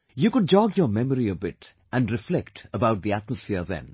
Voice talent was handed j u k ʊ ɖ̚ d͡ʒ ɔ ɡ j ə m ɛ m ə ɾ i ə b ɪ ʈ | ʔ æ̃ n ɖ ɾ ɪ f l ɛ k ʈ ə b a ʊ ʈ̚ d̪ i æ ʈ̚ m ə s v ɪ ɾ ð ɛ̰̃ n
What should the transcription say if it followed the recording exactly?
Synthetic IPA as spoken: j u k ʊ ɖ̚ d͡ʒ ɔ ɡ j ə m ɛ m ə ɾ i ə b ɪ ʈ | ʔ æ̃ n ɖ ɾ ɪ f l ɛ k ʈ ə b a ʊ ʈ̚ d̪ i æ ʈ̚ m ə s f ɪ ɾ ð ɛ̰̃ n